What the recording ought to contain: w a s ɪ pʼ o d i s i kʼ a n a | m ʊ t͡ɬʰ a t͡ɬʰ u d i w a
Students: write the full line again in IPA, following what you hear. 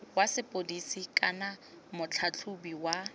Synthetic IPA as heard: w a s ɪ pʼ o d i s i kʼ a n a | m ʊ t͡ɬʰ a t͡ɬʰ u b i w a

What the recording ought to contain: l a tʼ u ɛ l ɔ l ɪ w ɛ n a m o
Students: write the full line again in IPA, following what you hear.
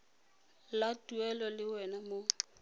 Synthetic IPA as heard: l a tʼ u ɛ l ɔ l ɪ w ɛ n a m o

